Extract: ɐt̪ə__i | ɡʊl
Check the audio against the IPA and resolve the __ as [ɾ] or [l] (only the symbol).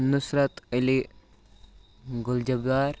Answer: l